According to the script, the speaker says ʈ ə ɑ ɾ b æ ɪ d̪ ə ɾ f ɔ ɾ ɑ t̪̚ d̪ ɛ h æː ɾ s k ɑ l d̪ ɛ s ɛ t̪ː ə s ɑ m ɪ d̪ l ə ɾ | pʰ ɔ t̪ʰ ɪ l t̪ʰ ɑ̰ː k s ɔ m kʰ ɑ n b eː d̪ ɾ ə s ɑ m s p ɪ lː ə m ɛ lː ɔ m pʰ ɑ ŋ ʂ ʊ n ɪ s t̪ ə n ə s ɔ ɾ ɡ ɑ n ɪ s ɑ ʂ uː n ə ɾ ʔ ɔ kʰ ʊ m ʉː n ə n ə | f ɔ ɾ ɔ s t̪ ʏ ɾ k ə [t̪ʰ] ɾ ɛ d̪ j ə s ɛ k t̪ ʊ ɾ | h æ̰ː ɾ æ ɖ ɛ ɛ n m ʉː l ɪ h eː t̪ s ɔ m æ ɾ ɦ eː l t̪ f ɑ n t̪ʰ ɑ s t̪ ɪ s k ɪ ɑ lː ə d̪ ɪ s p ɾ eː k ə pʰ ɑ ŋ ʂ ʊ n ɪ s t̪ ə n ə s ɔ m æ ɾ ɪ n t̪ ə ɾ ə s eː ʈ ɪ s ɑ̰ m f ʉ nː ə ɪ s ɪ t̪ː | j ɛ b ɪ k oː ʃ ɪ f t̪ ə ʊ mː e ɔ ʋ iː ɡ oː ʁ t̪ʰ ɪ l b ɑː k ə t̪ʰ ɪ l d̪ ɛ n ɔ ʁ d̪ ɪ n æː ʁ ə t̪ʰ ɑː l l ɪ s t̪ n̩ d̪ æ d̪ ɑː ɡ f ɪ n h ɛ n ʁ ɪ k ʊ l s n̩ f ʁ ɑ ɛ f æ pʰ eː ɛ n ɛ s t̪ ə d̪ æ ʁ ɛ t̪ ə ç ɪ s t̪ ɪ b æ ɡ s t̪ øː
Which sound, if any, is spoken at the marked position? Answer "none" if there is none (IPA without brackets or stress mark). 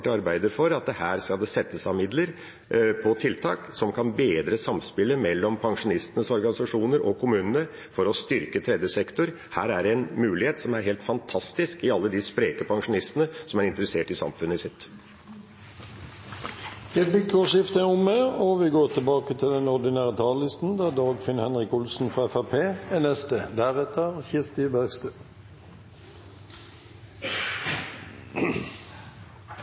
t̪ʰ